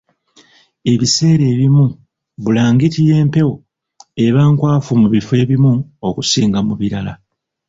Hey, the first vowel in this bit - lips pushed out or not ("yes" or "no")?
no